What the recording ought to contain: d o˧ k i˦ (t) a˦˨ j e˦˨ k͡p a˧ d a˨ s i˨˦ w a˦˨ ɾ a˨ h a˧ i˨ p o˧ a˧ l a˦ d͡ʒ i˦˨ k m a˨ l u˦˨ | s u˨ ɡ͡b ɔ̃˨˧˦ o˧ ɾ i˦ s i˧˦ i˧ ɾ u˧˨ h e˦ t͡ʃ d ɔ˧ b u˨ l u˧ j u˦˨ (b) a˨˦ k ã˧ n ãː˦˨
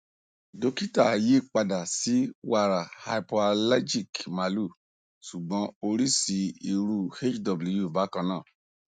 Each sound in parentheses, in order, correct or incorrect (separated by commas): correct, correct